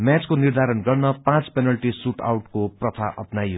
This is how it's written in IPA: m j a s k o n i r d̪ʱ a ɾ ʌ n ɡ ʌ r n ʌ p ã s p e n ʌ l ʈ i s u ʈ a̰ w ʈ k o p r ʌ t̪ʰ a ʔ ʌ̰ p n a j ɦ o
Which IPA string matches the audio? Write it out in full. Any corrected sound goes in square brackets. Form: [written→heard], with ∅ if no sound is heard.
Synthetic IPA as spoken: m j a [s→t͡s] k o n i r d̪ʱ a ɾ ʌ n ɡ ʌ r n ʌ p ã [s→t͡s] p e n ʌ l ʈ i s u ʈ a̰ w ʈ k o p r ʌ t̪ʰ a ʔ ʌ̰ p n a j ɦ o